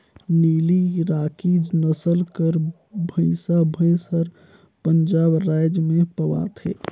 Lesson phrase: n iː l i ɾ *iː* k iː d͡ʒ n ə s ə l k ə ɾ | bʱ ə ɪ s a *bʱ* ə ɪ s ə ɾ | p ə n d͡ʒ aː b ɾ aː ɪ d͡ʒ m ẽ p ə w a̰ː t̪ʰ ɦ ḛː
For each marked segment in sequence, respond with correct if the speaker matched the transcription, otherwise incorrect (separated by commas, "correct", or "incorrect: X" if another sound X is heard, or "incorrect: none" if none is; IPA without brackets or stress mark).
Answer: incorrect: aː, correct